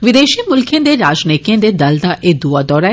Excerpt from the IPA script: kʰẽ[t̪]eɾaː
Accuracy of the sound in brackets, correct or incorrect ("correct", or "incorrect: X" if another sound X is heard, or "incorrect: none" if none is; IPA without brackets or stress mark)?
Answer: incorrect: d̪